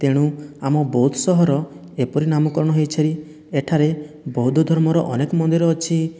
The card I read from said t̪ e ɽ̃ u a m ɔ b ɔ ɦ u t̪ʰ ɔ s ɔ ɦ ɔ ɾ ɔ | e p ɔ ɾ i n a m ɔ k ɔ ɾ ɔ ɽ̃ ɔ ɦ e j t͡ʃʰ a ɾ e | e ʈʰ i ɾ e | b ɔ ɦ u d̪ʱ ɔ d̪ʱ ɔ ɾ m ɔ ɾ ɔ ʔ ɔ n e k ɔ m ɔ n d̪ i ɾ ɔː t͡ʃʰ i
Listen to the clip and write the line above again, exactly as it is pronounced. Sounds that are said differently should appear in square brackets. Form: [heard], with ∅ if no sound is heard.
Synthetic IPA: t̪ e ɽ̃ u a m ɔ b ɔ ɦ u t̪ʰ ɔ s ɔ ɦ ɔ ɾ ɔ | e p ɔ ɾ i n a m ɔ k ɔ ɾ ɔ ɽ̃ ɔ ɦ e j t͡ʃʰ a ɾ [i] | e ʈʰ [a] ɾ e | b ɔ ɦ u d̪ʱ ɔ d̪ʱ ɔ ɾ m ɔ ɾ ɔ ʔ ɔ n e k ɔ m ɔ n d̪ i ɾ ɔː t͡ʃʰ i